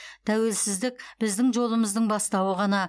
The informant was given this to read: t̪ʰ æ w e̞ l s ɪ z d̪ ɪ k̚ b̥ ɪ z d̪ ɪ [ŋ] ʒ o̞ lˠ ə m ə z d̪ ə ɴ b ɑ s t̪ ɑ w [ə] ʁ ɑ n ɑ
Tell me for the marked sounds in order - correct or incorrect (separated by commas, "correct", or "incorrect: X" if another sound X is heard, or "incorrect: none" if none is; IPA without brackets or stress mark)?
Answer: correct, correct